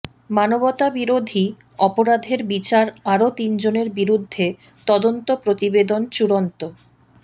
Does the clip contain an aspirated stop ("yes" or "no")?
no